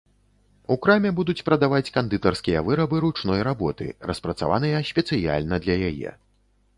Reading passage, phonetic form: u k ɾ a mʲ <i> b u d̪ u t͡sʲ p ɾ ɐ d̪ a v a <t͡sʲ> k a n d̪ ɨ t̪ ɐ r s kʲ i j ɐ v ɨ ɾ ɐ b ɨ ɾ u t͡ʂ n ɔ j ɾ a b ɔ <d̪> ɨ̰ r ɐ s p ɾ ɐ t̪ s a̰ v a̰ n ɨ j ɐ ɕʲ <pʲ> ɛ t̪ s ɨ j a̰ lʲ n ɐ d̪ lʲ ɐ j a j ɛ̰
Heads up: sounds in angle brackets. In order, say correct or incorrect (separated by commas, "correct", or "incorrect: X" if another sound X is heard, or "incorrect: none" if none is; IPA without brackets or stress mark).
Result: incorrect: ɛ, correct, incorrect: t̪, correct